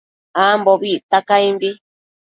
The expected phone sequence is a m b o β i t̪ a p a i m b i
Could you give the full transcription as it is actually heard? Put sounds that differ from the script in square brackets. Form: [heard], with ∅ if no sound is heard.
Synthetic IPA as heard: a m b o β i t̪ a [k] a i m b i